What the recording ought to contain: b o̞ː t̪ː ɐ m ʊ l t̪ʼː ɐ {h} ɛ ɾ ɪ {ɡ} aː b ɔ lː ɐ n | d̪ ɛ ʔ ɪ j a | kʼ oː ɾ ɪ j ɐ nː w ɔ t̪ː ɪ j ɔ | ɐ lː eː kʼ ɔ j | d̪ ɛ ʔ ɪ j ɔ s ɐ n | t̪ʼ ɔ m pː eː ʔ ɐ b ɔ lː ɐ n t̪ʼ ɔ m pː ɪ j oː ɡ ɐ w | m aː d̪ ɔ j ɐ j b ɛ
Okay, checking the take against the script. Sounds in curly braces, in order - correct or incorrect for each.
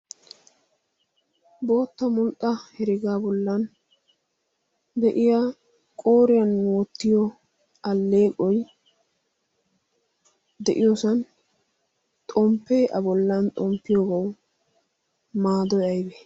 correct, correct

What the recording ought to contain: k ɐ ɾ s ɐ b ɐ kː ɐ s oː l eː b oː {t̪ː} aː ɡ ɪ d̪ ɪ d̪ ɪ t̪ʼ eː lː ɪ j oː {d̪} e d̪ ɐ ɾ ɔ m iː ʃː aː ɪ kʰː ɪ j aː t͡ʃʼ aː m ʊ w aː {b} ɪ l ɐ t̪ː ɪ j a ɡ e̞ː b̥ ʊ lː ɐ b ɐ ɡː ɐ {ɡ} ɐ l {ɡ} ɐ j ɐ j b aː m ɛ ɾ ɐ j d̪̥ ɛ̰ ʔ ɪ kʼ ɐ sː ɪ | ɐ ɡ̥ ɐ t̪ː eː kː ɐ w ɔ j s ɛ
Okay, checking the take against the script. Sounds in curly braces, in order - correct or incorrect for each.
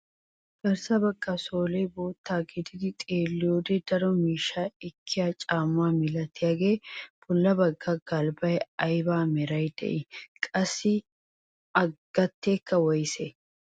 correct, correct, incorrect: m, correct, incorrect: b

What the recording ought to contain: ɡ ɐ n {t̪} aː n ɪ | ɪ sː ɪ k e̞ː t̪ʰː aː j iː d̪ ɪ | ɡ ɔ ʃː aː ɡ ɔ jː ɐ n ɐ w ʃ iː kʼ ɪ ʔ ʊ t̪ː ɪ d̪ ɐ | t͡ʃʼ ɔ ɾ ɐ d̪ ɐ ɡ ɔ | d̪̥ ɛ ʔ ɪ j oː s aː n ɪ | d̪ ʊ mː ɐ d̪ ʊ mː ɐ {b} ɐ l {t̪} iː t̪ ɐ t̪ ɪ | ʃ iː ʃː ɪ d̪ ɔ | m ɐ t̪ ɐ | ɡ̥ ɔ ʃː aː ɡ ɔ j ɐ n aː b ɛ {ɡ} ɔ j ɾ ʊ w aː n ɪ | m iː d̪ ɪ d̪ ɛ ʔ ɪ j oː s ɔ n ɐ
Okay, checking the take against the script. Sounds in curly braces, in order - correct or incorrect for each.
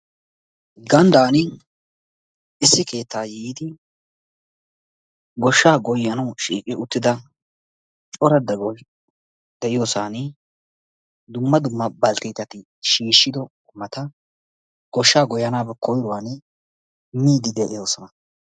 incorrect: d̪, correct, correct, incorrect: k

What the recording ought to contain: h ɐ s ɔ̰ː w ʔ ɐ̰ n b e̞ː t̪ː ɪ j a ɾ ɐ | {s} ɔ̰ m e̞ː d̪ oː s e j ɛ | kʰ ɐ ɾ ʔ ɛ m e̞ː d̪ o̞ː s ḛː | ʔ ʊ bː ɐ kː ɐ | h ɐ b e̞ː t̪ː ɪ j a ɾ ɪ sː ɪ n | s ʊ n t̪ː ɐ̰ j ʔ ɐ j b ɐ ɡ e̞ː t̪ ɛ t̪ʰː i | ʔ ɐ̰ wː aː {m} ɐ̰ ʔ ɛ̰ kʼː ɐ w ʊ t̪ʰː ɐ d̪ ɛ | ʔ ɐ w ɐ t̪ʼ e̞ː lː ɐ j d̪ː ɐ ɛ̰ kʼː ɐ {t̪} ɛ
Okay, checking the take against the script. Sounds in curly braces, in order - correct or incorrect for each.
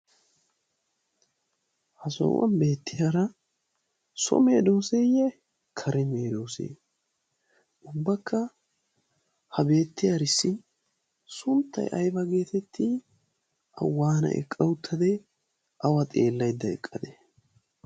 correct, incorrect: n, incorrect: d̪

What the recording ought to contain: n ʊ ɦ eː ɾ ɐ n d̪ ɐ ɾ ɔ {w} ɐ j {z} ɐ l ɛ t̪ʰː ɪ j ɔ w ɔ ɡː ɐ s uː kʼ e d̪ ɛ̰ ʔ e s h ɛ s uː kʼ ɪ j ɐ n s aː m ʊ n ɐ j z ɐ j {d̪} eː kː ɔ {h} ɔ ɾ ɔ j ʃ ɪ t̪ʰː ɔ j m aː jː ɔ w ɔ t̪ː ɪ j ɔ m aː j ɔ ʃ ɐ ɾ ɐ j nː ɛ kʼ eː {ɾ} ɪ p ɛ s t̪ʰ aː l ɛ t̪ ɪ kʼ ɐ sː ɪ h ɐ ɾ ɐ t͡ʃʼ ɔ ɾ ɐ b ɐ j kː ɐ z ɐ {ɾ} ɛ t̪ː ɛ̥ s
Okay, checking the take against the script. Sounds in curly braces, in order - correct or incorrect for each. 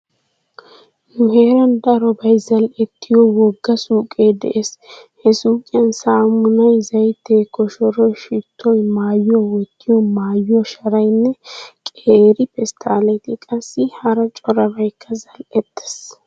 incorrect: b, correct, incorrect: t̪, incorrect: ʃ, correct, incorrect: l

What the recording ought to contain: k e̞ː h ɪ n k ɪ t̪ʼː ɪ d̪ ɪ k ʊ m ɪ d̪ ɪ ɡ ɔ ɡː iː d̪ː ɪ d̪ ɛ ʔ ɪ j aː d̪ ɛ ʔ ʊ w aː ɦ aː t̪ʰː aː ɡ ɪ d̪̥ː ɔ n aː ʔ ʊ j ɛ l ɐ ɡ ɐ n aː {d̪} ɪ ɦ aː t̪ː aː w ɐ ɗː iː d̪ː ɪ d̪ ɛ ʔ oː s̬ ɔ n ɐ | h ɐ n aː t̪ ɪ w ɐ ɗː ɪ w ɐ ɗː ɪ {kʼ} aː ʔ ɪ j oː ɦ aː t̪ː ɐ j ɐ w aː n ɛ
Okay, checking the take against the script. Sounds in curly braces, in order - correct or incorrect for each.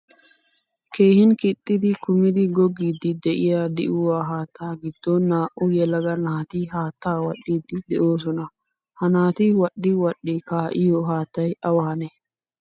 incorrect: t̪, incorrect: k

